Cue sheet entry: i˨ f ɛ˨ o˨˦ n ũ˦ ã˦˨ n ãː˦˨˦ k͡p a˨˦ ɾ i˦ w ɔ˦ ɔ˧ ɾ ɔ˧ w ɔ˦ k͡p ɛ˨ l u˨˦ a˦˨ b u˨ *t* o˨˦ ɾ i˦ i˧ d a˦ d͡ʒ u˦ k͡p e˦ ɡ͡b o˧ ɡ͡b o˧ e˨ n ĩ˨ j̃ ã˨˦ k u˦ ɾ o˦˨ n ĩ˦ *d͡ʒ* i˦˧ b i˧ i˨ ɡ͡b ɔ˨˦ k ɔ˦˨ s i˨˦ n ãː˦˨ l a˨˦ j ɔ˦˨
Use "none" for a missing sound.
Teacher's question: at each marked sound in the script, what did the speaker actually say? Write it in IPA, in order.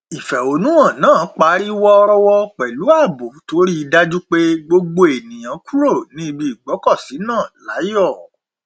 t, none

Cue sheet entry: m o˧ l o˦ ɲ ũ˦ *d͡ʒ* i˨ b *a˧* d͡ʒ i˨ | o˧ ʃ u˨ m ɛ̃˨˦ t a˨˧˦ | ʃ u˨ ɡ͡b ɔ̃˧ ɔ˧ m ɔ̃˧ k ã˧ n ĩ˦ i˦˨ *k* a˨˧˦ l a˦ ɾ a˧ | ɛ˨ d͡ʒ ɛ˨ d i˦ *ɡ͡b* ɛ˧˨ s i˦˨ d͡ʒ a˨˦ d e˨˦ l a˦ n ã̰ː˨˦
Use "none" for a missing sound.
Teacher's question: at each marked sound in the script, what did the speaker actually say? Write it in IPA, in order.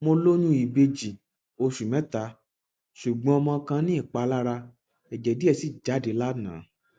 none, e˧, k͡p, none

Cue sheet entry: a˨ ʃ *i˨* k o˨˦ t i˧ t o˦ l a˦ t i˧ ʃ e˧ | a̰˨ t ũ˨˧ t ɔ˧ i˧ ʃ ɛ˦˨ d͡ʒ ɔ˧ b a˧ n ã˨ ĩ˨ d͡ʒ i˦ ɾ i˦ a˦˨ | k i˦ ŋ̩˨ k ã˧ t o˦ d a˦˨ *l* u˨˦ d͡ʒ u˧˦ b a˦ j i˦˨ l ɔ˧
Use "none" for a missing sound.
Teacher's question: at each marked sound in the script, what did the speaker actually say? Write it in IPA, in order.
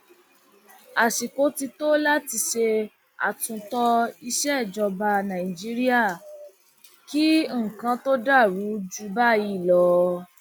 i˨, ɾ

